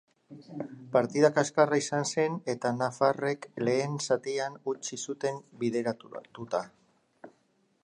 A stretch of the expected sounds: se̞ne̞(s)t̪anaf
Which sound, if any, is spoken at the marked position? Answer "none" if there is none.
none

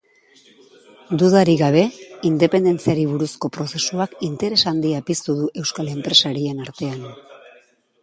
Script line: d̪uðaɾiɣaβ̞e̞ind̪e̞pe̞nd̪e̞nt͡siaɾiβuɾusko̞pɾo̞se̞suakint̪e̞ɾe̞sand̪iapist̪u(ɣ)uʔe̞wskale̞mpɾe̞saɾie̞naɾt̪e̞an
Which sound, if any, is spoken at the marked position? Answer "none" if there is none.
ð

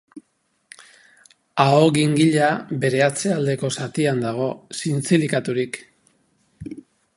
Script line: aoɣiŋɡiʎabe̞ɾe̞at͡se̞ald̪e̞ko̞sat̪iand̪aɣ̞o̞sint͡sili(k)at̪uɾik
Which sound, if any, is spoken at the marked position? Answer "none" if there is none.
k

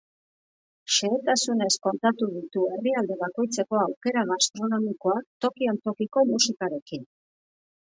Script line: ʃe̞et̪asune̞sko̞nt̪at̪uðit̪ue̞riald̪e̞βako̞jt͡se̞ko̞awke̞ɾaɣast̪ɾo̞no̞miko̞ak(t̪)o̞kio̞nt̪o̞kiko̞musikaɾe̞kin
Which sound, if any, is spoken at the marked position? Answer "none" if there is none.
t̪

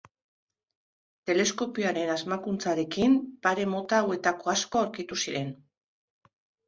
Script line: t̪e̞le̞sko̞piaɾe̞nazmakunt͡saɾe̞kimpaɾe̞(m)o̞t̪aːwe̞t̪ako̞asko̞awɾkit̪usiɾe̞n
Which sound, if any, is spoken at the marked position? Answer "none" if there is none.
m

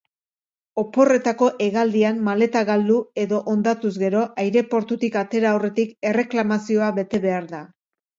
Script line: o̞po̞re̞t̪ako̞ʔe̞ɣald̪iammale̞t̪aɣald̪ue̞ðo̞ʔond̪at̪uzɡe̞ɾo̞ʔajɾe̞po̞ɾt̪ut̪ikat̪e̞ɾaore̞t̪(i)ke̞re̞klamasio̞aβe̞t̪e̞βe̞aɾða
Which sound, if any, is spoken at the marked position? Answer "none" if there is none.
i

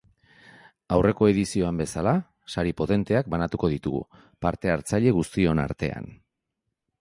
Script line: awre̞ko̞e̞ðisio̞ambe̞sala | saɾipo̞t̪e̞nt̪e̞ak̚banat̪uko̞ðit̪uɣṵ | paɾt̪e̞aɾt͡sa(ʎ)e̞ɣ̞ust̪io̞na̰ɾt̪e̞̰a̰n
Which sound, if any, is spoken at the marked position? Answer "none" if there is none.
ʎ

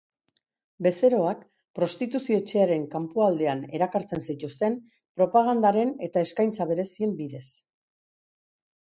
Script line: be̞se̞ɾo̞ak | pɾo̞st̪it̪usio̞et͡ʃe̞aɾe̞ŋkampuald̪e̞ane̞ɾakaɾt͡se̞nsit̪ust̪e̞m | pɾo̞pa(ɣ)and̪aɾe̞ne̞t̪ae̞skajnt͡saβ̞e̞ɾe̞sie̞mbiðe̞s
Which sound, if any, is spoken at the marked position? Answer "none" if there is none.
ɣ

